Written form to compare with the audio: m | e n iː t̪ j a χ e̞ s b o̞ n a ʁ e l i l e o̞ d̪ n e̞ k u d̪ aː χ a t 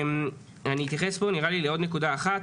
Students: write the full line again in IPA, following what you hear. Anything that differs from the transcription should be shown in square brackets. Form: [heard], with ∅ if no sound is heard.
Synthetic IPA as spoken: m | [a] n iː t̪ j a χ e̞ s b o̞ n [i] ʁ [a] l i l e o̞ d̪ n e̞ k u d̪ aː χ a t